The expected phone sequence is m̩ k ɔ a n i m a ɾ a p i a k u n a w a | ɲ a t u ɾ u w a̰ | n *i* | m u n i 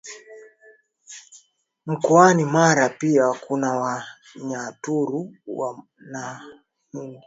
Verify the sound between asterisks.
incorrect: a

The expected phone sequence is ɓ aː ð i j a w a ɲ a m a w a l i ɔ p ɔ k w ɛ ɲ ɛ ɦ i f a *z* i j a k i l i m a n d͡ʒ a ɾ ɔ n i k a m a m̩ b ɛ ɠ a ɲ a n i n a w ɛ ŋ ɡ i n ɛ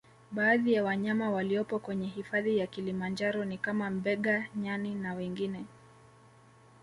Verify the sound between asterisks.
incorrect: ð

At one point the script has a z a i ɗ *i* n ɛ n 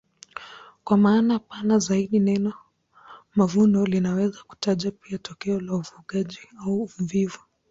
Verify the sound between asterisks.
correct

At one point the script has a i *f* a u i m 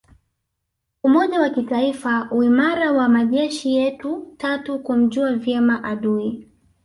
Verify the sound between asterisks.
correct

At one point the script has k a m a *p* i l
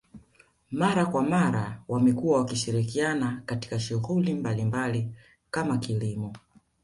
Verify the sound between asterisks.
incorrect: k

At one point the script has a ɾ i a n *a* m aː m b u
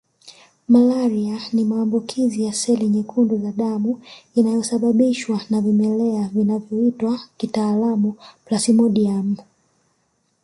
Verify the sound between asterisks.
incorrect: i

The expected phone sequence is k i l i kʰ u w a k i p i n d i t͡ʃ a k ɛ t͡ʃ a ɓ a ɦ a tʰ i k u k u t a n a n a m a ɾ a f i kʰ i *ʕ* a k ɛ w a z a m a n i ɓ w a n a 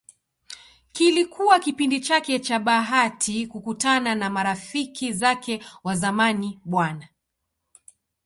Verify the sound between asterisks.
incorrect: z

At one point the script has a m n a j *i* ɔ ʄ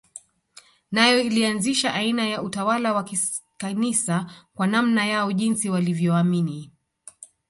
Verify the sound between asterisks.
incorrect: a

